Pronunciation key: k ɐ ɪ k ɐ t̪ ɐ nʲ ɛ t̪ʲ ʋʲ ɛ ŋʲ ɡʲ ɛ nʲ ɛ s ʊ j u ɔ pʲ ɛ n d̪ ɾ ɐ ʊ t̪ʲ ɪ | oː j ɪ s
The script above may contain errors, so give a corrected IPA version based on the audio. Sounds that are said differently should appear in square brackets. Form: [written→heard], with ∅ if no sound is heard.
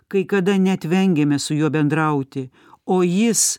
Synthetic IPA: k ɐ ɪ k ɐ [t̪→d̪] ɐ nʲ ɛ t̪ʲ ʋʲ ɛ ŋʲ ɡʲ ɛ [nʲ→mʲ] ɛ s ʊ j u ɔ [pʲ→bʲ] ɛ n d̪ ɾ ɐ ʊ t̪ʲ ɪ | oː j ɪ s